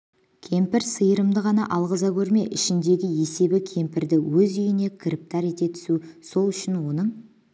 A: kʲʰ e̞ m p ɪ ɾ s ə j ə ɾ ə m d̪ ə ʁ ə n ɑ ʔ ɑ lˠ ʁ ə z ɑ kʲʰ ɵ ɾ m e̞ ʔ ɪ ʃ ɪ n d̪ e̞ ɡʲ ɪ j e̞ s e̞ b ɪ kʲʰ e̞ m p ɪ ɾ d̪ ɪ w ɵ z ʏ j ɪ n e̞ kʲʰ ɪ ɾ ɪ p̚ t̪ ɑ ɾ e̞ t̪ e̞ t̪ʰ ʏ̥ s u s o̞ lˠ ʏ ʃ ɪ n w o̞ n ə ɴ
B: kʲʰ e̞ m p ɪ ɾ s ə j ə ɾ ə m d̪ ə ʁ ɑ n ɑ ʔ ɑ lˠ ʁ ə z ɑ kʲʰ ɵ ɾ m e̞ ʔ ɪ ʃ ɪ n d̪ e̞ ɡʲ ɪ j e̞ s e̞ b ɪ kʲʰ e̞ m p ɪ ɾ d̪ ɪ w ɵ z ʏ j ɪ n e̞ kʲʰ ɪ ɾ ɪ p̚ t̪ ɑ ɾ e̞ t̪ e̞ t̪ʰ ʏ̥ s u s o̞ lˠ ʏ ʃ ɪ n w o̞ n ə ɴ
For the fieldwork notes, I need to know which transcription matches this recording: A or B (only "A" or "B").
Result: B